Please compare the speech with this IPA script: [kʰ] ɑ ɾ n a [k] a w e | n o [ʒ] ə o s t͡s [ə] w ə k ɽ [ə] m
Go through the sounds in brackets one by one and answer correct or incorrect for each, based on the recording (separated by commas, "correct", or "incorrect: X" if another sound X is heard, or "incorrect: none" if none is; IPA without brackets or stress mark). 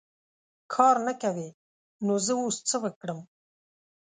correct, correct, incorrect: z, correct, correct